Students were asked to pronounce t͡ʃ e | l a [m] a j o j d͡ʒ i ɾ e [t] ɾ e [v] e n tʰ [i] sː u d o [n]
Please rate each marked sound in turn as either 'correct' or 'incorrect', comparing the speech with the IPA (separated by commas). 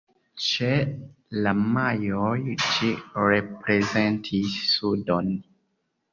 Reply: correct, incorrect, incorrect, correct, correct